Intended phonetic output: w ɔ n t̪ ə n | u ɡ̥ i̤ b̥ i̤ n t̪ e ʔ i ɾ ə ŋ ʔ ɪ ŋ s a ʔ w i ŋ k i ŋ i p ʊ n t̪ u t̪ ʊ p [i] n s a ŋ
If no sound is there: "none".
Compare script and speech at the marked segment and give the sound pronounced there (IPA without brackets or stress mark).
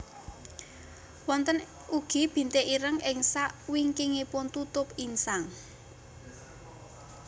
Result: i